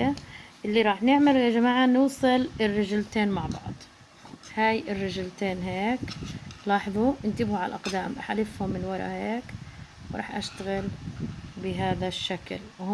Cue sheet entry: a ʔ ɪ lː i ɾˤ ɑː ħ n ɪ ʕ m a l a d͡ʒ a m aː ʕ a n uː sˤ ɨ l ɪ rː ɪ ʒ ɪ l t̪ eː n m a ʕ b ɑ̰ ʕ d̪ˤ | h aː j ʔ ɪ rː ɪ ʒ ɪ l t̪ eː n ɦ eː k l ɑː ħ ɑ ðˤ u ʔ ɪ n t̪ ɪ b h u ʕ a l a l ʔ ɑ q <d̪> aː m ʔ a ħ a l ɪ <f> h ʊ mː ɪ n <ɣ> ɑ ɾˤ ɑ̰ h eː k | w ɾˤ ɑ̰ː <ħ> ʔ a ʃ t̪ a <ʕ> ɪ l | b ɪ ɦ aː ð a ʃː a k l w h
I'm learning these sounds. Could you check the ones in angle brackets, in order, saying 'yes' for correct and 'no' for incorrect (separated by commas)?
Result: yes, yes, no, yes, no